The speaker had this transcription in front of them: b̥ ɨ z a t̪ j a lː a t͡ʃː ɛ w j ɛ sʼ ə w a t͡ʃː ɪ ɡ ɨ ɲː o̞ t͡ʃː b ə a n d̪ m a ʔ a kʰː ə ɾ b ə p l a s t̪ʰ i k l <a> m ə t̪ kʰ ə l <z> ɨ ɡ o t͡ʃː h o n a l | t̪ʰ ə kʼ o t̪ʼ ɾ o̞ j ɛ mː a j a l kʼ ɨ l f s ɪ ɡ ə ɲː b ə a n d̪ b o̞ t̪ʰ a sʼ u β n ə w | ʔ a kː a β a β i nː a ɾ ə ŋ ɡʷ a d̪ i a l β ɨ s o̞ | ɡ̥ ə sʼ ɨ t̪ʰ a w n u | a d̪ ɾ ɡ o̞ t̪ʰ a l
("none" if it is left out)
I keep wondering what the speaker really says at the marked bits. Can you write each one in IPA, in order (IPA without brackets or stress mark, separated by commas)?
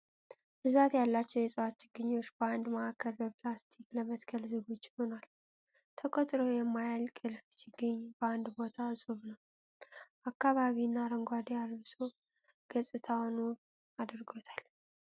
ə, z